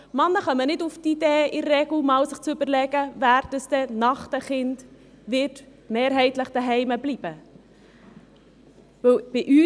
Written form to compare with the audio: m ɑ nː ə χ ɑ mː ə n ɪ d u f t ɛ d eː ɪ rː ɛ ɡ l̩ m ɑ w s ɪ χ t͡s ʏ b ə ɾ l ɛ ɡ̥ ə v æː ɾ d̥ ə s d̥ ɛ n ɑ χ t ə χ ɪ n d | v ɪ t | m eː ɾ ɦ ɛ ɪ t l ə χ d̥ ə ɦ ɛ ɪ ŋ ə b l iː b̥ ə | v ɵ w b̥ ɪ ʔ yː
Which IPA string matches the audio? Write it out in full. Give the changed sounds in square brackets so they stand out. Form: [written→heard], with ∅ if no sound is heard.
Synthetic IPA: m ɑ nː ə χ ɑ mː ə n ɪ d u f t [ɛ→i] d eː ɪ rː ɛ ɡ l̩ m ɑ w s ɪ χ t͡s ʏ b ə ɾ l ɛ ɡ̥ ə v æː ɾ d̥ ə s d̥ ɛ n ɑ χ t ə χ ɪ n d | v ɪ t | m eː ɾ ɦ ɛ ɪ t l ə χ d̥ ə ɦ ɛ ɪ [ŋ→m] ə b l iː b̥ ə | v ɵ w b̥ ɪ ʔ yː